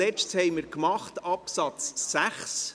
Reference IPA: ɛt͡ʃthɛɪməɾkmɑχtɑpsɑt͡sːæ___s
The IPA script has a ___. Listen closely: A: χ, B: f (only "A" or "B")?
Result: A